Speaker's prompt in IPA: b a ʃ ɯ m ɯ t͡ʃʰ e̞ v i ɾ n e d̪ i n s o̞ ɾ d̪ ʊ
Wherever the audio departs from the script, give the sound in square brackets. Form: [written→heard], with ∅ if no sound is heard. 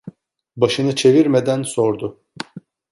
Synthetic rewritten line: b a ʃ ɯ [m→n] ɯ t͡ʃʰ e̞ v i ɾ [n→m] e d̪ [i→æ] n s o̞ ɾ d̪ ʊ